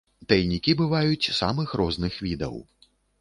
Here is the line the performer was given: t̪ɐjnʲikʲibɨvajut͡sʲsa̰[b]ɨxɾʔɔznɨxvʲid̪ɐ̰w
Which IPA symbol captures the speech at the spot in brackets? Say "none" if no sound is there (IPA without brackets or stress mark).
m